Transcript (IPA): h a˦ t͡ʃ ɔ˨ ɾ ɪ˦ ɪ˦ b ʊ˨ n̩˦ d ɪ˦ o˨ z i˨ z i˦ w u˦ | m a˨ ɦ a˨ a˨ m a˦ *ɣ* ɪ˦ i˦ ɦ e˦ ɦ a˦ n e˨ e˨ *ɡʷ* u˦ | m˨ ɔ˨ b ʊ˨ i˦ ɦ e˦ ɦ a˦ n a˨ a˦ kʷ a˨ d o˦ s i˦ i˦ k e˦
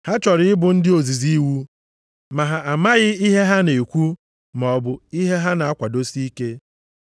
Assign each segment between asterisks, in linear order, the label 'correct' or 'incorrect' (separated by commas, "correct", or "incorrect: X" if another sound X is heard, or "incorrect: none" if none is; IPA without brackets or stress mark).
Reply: correct, incorrect: kʷ